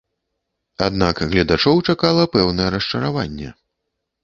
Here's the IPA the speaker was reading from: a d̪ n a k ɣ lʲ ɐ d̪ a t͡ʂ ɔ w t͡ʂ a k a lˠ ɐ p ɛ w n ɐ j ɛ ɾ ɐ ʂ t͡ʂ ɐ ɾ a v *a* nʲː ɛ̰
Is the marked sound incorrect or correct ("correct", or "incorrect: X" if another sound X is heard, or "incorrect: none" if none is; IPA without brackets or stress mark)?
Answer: correct